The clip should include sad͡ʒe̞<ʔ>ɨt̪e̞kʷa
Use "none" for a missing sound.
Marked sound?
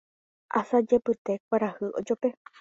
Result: p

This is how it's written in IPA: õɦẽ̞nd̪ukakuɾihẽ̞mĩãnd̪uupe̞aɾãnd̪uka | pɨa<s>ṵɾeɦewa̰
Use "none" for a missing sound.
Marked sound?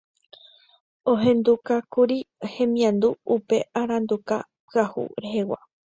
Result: h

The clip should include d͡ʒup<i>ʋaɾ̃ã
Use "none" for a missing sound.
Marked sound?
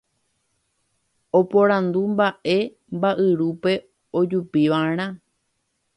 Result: i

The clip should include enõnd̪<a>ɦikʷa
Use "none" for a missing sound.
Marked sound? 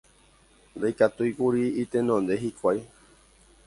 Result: e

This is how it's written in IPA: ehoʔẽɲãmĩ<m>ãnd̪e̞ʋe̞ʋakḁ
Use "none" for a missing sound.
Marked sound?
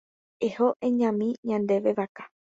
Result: ɲ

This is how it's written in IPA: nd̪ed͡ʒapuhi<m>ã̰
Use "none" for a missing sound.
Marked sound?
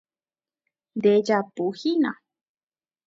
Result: n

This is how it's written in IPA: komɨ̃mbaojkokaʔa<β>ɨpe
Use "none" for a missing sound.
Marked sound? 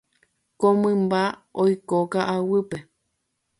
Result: w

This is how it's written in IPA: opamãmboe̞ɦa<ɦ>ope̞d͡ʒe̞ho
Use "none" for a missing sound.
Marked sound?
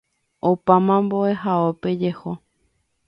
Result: none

